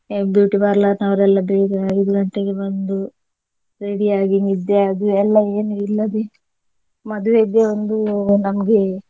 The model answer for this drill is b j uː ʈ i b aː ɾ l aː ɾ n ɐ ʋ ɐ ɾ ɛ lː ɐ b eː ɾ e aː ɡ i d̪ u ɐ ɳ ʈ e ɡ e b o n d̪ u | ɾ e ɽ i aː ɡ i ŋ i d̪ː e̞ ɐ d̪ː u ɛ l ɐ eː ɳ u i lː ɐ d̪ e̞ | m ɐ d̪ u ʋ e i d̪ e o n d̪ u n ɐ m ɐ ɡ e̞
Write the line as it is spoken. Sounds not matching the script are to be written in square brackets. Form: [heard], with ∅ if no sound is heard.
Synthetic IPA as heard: b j uː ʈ i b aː ɾ l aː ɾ n ɐ ʋ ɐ ɾ ɛ lː ɐ b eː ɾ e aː ɡ i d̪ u ɐ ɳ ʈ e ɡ e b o n d̪ u | ɾ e ɽ i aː ɡ i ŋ i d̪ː e̞ ɐ [d̪] u ɛ [lː] ɐ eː [n] u i lː ɐ d̪ e̞ | m ɐ d̪ u ʋ e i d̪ e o n d̪ u n ɐ m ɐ ɡ e̞

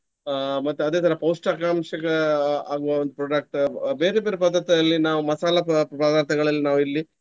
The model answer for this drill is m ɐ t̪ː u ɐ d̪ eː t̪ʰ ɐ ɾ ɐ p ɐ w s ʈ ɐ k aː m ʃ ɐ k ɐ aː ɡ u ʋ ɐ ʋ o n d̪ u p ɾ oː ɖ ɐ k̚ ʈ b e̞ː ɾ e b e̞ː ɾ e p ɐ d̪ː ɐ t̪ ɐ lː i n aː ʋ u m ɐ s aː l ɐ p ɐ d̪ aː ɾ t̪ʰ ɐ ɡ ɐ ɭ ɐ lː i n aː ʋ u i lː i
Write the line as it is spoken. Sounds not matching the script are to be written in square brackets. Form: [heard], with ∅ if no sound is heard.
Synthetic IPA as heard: m ɐ t̪ː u ɐ d̪ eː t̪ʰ ɐ ɾ ɐ p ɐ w s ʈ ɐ k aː m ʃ ɐ k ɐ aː ɡ u ʋ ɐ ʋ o n d̪ u p ɾ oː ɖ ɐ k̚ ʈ b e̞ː ɾ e b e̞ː ɾ e p ɐ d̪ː ɐ t̪ ɐ lː i n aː ʋ u m ɐ s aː l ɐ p ɐ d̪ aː ɾ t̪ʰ ɐ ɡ ɐ ɭ ɐ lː i n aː ʋ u i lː i

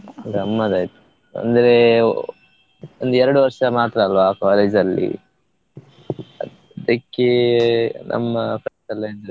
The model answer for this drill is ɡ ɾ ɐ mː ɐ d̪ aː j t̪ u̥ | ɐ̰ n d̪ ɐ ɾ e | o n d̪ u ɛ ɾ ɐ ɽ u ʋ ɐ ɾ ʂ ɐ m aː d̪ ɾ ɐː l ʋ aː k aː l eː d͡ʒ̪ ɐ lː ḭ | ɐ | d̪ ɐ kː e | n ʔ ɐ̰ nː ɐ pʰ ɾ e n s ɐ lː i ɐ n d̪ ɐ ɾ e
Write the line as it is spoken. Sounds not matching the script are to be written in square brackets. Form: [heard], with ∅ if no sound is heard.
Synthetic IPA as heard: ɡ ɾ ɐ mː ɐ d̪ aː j t̪ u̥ | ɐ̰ n d̪ ɐ ɾ e | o n d̪ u ɛ ɾ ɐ ɽ u ʋ ɐ ɾ ʂ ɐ m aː [t̪] ɾ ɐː l ʋ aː k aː l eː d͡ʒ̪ ɐ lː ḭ | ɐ | d̪ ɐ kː e | n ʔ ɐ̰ [mː] ɐ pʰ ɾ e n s ɐ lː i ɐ n d̪ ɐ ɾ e

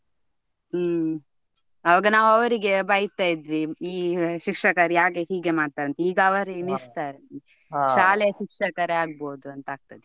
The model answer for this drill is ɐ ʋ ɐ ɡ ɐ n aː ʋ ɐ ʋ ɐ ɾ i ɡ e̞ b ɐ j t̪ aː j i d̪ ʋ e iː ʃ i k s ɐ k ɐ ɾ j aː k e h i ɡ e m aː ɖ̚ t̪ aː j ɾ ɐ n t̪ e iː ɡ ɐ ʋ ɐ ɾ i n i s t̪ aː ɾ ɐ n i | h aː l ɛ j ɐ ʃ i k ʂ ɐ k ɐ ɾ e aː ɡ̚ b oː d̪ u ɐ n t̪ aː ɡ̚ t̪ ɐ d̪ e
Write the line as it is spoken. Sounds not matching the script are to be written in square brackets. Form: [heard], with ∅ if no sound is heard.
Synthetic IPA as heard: ɐ ʋ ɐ ɡ ɐ n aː ʋ ɐ ʋ ɐ ɾ i ɡ e̞ b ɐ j t̪ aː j i d̪ ʋ [i] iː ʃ i k [ʂ] ɐ k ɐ ɾ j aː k e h [iː] ɡ e m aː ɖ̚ t̪ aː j ɾ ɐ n t̪ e iː ɡ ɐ ʋ ɐ ɾ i n i s t̪ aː ɾ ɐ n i | [ʃ] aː l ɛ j ɐ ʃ i k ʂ ɐ k ɐ ɾ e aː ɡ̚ b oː d̪ u ɐ n t̪ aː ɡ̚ t̪ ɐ d̪ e

